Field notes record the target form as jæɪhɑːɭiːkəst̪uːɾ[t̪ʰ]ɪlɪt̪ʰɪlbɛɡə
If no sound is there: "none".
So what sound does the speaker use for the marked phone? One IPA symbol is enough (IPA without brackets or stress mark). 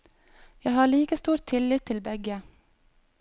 t̪ʰ